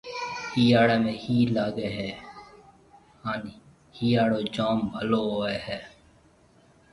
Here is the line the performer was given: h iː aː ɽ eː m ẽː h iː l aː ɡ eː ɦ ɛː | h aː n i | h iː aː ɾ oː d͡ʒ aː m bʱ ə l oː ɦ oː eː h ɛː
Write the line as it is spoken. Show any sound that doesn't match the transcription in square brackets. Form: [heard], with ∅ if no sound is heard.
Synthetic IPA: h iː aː ɽ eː m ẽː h iː l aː ɡ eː ɦ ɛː | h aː n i | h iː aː [ɽ] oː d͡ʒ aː m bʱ ə l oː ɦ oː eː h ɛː